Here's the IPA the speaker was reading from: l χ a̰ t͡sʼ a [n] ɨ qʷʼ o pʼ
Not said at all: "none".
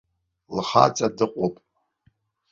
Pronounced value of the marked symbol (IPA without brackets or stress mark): d